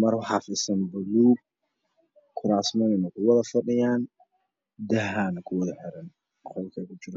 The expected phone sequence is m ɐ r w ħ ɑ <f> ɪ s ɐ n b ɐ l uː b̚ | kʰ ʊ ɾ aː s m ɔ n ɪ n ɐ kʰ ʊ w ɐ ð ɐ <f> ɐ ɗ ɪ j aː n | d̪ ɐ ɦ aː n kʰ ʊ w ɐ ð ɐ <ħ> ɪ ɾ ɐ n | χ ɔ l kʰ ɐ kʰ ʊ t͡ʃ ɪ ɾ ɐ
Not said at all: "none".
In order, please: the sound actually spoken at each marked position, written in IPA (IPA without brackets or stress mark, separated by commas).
f, f, ħ